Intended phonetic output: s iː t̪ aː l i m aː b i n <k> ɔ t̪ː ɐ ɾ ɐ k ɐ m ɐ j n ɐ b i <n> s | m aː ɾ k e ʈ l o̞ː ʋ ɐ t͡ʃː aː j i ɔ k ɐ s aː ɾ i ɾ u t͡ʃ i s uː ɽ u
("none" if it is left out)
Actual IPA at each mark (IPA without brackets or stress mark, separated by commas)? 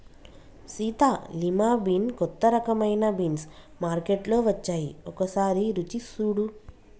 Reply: k, n